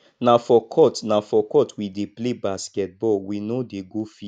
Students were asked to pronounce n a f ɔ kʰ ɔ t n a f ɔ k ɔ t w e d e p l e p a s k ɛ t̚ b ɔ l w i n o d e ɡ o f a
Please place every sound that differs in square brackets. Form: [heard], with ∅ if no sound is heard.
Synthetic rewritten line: n a f ɔ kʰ ɔ t n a f ɔ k ɔ t w [i] d e p l e [b] a s k ɛ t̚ b ɔ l w i n o d e ɡ o f [i]